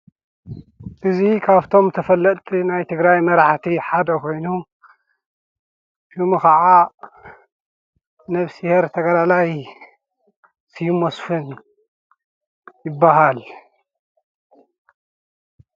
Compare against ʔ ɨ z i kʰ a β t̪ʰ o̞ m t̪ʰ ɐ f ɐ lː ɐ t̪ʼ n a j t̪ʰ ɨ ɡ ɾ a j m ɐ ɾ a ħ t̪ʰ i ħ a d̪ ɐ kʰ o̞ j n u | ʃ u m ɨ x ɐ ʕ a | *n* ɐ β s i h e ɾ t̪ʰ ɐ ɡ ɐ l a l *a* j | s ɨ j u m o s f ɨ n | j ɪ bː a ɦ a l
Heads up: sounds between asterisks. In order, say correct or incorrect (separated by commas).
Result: correct, correct